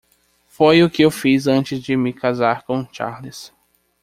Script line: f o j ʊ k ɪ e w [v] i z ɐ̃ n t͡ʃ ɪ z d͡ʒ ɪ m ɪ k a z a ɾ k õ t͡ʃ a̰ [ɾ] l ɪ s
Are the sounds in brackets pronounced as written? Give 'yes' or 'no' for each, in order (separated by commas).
no, yes